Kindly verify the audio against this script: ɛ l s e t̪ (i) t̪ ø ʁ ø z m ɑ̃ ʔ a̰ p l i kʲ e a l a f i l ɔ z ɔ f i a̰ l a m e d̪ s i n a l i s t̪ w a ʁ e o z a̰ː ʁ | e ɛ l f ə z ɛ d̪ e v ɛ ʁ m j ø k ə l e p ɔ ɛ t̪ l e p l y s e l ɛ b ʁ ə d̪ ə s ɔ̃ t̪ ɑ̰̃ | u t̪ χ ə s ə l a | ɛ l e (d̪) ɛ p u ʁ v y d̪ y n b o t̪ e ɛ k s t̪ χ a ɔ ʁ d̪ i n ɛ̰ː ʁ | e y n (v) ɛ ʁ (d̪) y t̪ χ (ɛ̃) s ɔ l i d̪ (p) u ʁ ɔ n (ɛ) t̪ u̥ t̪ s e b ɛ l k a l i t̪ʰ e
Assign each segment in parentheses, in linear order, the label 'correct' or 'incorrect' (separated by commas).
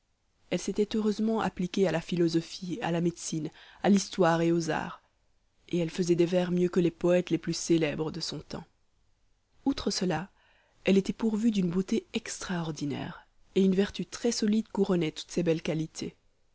incorrect, incorrect, correct, incorrect, incorrect, incorrect, correct